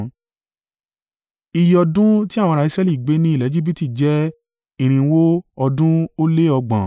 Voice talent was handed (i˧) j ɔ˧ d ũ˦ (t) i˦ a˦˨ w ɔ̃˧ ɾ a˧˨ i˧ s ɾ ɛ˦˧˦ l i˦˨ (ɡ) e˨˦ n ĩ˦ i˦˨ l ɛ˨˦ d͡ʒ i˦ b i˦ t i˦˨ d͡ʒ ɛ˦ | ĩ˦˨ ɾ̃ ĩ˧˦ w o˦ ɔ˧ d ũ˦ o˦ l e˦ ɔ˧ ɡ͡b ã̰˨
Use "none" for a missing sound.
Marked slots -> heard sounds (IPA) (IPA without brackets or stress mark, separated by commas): i˧, t, ɡ͡b